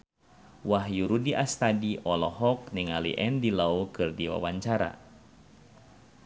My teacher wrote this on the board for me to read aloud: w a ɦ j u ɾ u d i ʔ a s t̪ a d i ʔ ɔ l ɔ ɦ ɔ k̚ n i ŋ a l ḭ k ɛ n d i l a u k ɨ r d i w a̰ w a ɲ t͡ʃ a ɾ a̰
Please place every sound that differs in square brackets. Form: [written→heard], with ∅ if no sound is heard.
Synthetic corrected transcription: w a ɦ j u ɾ u d i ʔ a s t̪ a d i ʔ ɔ l ɔ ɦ ɔ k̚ n i ŋ a l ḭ [k→ʔ] ɛ n d i l a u k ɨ r d i w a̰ w a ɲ t͡ʃ a ɾ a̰